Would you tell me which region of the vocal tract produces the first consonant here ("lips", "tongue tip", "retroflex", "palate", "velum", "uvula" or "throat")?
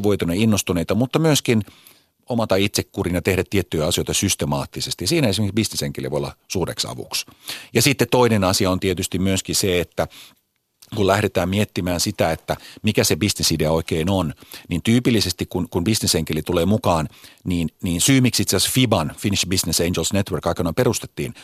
lips